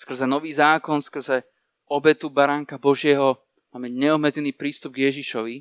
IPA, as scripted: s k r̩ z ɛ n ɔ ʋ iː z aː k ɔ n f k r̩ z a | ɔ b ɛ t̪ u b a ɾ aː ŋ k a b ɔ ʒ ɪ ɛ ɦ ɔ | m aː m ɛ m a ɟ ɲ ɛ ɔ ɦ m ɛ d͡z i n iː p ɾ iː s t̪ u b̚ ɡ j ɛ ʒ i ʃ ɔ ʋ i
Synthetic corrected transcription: s k r̩ z ɛ n ɔ ʋ iː z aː k ɔ n s k r̩ z ɛ | ɔ b ɛ t̪ u b a ɾ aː ŋ k a b ɔ ʒ ɪ ɛ ɦ ɔ | m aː m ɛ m a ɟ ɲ ɛ ɔ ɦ m ɛ d͡z ɛ n iː p ɾ iː s t̪ u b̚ ɡ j ɛ ʒ i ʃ ɔ ʋ i